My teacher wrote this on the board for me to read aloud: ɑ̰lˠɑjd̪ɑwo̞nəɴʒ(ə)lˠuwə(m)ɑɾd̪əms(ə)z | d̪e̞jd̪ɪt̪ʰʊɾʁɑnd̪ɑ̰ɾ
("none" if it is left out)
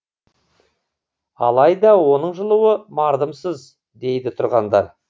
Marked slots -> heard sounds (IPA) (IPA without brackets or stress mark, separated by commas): ə, m, ə